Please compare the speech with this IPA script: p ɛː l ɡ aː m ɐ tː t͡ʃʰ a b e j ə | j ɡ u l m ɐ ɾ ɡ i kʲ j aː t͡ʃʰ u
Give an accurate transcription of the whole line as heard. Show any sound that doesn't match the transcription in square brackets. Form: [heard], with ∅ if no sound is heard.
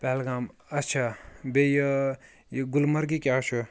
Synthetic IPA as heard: p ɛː l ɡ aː m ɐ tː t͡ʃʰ a b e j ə | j ɡ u l m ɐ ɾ ɡ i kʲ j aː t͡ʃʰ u